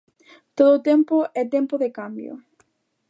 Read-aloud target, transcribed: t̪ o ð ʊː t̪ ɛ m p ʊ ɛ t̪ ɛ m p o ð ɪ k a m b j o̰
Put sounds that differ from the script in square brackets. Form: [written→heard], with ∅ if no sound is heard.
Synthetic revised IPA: t̪ o ð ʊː t̪ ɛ m p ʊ ɛ t̪ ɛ m p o ð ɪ k a m b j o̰